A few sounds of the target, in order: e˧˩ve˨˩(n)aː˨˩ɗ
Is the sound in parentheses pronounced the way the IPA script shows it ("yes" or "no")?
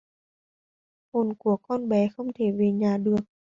no